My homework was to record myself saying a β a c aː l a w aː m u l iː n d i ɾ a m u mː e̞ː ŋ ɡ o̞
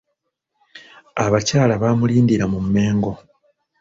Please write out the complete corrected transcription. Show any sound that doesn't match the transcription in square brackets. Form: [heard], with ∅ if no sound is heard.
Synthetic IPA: a β a c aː l a [β] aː m u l iː n d i ɾ a m u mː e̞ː ŋ ɡ o̞